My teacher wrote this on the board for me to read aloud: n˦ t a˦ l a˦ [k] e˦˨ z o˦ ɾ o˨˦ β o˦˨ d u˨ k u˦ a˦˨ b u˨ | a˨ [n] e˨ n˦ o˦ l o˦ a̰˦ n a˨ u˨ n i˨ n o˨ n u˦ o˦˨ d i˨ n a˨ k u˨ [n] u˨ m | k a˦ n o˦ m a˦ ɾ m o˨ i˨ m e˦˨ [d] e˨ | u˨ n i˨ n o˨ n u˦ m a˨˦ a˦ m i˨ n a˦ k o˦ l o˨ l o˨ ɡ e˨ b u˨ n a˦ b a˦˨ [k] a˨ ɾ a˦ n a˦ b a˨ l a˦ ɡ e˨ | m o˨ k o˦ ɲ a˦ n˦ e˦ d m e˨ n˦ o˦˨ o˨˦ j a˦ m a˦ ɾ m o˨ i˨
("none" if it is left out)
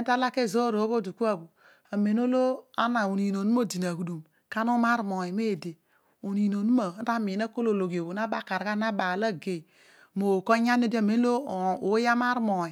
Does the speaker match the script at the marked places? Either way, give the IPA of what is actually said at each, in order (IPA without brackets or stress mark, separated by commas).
k, m, d, d, k